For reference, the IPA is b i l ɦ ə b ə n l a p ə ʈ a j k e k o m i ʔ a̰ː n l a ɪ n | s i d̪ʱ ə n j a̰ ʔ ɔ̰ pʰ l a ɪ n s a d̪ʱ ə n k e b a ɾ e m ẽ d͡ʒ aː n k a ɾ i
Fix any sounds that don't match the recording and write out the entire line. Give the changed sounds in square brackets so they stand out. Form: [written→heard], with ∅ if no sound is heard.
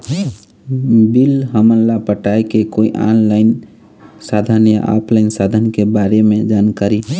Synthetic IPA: b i l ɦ ə [b→m] ə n l a p ə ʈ a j k e k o [m→∅] i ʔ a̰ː n l a ɪ n | s [i→a] d̪ʱ ə n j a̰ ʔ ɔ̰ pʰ l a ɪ n s a d̪ʱ ə n k e b a ɾ e m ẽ d͡ʒ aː n k a ɾ i